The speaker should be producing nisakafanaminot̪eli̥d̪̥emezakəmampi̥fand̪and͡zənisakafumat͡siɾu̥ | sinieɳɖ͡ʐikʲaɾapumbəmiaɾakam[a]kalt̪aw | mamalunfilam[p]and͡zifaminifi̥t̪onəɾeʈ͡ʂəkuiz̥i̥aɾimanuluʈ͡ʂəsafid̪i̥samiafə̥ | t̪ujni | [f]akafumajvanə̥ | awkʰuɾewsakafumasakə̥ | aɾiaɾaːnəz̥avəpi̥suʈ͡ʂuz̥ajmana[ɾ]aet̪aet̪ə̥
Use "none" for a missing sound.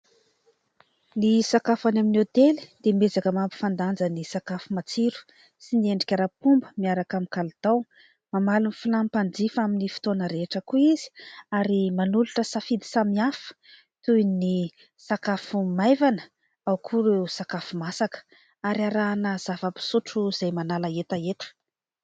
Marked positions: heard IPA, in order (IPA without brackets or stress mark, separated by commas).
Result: i, p, s, l